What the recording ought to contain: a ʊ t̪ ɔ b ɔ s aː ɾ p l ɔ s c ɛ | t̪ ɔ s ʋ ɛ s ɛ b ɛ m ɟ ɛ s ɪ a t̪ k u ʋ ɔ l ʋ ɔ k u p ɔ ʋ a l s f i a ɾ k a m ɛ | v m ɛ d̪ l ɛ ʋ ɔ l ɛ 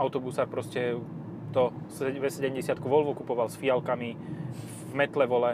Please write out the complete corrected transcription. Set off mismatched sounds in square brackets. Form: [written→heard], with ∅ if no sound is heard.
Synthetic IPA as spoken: a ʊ t̪ ɔ b [ɔ→u] s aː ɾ p [l→ɾ] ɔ s c ɛ | t̪ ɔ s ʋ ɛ s ɛ [b→ɟ] ɛ m ɟ ɛ s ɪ a t̪ k u ʋ ɔ l ʋ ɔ k u p ɔ ʋ a l s f i a [ɾ→l] k a m [ɛ→i] | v m ɛ [d̪→t̪] l ɛ ʋ ɔ l ɛ